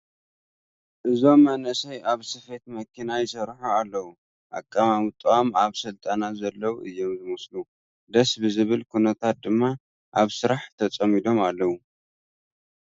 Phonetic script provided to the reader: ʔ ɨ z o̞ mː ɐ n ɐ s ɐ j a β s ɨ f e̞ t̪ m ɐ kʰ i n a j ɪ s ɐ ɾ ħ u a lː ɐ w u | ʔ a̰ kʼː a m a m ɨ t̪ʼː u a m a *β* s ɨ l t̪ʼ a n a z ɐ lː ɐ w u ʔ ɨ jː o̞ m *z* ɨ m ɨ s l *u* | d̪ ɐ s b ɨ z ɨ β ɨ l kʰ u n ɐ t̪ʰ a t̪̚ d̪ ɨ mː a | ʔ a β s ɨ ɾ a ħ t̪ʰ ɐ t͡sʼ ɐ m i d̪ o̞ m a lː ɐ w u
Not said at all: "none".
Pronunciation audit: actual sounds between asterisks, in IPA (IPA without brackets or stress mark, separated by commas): β, z, u